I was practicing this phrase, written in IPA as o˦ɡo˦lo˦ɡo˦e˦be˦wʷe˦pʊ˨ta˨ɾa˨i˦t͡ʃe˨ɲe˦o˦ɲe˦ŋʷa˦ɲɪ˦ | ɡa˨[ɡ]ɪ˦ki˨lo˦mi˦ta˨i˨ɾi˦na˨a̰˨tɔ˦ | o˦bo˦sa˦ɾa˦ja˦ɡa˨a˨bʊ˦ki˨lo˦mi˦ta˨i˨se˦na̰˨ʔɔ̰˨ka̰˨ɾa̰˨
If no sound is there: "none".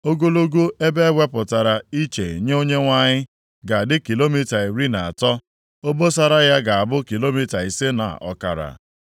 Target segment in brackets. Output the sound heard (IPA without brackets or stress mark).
d